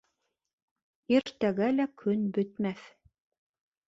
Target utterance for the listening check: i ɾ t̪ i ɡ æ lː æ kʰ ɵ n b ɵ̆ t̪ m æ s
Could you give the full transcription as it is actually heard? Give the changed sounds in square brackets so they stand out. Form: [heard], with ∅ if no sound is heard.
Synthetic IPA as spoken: i ɾ t̪ [æ] ɡ æ [l] æ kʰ ɵ n b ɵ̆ t̪ m æ [θ]